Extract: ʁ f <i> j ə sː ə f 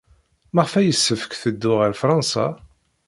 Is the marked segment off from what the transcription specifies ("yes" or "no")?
yes